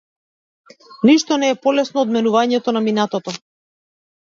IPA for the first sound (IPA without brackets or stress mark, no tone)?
n